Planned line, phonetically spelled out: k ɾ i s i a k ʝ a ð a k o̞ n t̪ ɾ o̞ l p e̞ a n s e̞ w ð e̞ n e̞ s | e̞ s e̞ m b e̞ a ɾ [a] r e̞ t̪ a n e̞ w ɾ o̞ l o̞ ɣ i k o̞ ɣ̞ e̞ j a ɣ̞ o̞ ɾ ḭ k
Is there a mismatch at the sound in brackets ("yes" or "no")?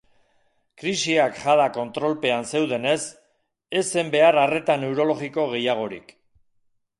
no